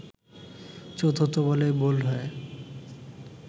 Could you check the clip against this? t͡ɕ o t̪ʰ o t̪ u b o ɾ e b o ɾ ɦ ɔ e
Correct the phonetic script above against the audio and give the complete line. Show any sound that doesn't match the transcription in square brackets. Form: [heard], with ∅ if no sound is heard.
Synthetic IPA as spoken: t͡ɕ o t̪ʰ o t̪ [o] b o [l] e b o [l] ɦ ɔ e